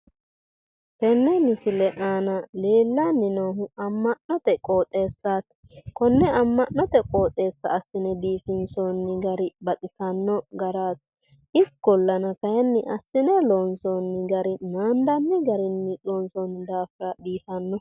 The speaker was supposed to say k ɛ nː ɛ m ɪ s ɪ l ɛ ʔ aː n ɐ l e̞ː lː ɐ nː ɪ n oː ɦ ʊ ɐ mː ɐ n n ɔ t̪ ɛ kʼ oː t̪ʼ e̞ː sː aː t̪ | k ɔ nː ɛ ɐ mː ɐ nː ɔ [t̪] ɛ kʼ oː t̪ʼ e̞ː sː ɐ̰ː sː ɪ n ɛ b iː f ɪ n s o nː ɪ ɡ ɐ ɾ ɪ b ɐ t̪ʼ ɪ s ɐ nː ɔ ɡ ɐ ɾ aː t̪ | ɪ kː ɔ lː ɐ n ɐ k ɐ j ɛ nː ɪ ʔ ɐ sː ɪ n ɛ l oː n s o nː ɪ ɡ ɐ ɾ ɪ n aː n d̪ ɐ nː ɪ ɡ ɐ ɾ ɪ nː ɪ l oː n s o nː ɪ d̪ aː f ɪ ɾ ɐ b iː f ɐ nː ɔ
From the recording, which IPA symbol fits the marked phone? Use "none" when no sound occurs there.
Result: t̪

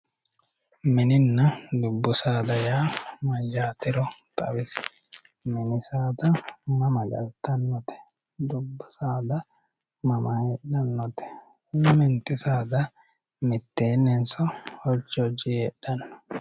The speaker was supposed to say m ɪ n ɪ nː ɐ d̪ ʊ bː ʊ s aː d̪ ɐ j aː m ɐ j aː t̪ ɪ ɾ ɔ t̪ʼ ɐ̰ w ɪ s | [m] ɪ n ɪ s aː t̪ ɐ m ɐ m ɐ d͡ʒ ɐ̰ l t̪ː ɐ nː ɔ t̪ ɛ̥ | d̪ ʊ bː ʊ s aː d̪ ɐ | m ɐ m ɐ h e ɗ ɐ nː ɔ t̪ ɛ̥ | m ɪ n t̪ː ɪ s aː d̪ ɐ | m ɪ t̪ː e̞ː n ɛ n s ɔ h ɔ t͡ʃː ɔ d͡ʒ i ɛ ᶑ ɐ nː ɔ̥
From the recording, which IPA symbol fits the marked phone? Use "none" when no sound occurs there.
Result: m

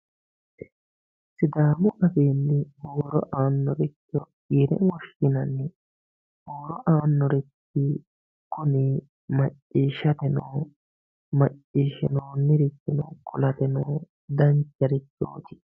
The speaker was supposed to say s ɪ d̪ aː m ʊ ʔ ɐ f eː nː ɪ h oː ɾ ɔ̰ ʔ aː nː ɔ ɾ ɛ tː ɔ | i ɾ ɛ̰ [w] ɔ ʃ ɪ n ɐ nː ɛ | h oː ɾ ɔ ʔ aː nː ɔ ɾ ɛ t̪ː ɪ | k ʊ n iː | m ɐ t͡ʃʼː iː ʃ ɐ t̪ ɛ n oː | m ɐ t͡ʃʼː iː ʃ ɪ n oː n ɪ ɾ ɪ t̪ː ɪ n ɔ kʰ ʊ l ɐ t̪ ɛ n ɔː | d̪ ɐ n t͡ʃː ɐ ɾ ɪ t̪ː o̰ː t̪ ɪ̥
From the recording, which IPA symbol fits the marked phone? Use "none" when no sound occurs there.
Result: w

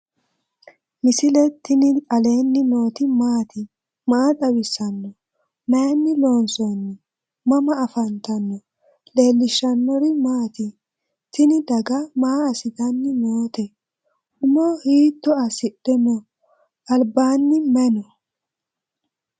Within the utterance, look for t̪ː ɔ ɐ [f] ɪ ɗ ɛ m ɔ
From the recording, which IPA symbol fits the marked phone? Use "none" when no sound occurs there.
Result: s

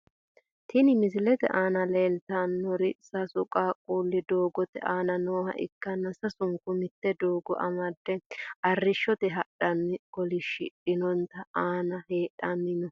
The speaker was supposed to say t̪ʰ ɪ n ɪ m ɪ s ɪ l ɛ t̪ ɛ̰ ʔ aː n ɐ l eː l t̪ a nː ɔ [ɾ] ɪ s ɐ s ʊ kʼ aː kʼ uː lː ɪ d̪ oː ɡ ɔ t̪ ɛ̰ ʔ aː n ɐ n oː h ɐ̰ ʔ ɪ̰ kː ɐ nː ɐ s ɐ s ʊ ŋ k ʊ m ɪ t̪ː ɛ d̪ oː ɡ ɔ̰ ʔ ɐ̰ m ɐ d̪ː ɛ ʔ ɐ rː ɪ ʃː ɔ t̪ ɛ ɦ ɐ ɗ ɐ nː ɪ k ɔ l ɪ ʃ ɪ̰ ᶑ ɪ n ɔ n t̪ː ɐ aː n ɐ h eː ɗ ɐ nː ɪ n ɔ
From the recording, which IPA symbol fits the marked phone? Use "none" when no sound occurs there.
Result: ɾ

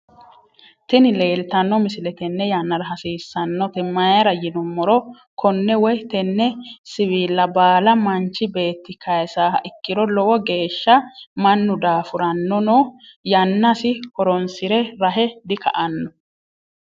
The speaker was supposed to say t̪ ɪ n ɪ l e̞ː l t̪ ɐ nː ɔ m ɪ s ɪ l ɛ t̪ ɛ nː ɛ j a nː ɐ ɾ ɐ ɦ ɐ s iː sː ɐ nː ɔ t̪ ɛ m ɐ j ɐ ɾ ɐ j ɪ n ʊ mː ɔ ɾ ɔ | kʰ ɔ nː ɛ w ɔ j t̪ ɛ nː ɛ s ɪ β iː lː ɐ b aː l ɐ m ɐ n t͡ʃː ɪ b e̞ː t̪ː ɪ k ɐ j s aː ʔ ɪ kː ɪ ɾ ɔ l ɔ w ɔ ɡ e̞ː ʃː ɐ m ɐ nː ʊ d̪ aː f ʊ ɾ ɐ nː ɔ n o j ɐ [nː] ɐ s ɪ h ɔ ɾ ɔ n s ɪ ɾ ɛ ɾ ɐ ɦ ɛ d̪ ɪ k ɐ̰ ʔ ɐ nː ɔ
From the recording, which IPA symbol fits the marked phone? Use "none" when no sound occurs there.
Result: nː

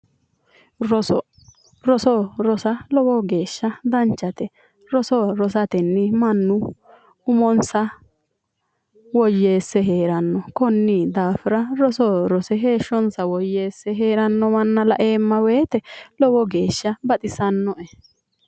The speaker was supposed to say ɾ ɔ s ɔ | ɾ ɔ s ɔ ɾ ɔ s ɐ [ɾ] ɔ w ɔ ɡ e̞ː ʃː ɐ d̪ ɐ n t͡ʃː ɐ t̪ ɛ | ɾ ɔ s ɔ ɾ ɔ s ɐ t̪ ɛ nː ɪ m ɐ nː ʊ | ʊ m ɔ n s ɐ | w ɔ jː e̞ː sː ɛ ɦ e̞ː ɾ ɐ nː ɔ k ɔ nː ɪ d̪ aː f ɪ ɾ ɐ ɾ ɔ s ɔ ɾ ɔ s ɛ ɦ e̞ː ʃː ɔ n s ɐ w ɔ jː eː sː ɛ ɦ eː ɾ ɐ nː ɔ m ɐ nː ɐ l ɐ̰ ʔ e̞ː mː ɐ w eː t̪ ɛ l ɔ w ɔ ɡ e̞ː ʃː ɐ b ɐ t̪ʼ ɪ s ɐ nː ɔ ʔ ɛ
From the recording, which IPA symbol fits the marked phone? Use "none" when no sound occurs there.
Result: l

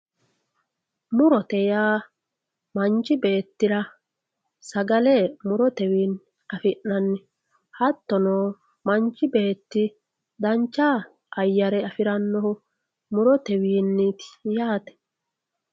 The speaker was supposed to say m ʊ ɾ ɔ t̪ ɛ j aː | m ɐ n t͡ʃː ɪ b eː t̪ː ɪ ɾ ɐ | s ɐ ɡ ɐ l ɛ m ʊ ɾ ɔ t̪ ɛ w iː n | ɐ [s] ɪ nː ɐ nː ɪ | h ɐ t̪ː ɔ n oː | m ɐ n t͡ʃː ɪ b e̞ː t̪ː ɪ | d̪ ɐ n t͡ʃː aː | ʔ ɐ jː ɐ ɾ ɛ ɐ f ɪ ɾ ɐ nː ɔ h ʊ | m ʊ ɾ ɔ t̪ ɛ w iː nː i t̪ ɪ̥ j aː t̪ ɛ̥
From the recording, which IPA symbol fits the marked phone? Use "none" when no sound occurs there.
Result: f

